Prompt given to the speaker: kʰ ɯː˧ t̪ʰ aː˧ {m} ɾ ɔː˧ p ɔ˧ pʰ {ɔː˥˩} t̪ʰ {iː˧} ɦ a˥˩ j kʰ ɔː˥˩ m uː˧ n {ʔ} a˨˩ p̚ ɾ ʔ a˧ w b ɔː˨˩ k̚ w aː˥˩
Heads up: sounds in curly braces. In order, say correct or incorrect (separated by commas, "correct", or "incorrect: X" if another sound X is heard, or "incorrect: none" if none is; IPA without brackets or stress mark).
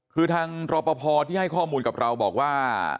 incorrect: ŋ, incorrect: ɔː˧, incorrect: iː˥˩, incorrect: k